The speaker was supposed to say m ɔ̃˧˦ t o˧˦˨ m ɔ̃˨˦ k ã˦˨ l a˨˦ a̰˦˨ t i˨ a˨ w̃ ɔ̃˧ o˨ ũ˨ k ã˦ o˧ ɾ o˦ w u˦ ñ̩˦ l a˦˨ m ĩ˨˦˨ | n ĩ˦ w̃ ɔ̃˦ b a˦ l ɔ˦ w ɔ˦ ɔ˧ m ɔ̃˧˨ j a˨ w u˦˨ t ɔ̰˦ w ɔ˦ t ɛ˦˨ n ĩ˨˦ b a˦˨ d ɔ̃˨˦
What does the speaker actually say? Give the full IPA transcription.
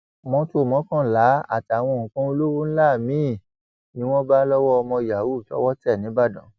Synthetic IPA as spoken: m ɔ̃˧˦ t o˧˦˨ m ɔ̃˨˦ k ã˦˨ l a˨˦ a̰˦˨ t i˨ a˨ w̃ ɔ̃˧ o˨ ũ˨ k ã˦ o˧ l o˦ w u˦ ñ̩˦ l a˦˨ m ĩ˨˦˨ | n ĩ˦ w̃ ɔ̃˦ b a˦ l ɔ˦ w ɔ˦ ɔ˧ m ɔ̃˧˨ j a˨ w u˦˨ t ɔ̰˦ w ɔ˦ t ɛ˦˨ n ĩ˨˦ b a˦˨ d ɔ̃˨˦